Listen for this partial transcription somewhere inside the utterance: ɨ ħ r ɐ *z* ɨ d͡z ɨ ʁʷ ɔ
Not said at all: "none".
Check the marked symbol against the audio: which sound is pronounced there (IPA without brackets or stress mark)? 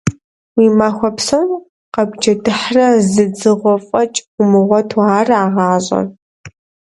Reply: z